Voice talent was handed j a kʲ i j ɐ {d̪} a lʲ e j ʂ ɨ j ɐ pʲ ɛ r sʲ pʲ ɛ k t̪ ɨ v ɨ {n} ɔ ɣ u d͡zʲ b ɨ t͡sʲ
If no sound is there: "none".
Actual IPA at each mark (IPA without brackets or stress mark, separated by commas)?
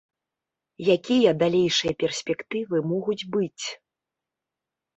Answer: d̪, m